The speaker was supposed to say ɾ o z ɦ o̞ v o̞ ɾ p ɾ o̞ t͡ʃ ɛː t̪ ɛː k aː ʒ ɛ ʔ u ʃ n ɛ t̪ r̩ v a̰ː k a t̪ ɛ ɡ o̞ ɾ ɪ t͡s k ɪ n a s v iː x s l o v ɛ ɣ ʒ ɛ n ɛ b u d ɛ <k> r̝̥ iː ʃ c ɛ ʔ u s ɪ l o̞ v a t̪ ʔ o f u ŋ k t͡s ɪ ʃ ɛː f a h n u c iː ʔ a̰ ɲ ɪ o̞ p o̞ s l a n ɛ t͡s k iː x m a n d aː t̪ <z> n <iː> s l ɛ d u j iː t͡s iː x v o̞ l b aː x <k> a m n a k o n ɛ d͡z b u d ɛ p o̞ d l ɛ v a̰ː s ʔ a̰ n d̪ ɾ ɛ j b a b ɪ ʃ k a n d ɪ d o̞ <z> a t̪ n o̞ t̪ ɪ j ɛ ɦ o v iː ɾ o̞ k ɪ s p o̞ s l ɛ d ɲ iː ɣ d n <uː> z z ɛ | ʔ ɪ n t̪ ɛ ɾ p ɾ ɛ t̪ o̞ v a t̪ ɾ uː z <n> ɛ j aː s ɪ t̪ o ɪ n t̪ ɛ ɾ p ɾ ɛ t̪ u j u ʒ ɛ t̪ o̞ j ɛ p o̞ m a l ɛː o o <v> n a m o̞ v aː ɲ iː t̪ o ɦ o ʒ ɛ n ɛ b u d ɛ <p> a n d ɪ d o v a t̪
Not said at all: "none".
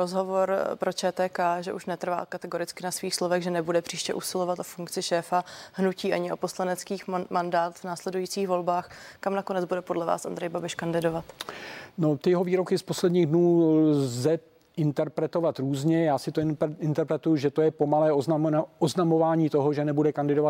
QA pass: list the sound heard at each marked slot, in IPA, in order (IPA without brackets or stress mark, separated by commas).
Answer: p, v, aː, k, v, uː, ɲ, z, k